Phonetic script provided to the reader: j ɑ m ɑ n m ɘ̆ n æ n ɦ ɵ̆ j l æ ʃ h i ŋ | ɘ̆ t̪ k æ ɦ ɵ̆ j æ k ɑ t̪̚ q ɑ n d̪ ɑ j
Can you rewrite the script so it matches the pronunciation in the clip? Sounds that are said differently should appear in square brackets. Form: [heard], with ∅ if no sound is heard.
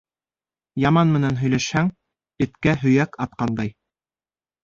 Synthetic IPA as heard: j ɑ m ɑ n m ɘ̆ n æ n ɦ ɵ̆ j l æ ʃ h [æ] ŋ | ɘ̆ t̪ k æ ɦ ɵ̆ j æ k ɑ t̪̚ q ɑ n d̪ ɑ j